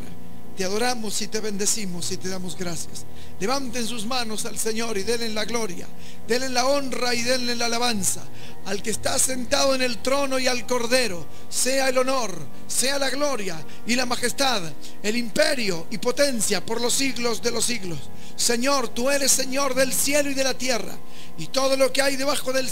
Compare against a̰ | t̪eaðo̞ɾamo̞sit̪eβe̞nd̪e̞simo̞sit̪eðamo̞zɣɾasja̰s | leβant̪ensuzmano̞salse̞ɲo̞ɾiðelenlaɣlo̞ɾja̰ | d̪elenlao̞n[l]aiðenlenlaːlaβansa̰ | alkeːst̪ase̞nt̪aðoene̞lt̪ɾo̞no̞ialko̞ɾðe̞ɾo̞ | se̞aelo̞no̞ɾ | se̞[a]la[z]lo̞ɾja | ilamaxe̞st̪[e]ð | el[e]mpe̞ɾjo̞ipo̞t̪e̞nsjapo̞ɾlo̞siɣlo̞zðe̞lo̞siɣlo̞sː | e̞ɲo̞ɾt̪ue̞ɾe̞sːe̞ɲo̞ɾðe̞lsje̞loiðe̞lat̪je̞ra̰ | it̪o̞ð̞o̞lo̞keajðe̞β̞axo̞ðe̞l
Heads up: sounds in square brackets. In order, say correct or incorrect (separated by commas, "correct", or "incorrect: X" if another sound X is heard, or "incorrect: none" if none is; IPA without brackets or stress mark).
incorrect: r, correct, incorrect: ɣ, incorrect: a, incorrect: i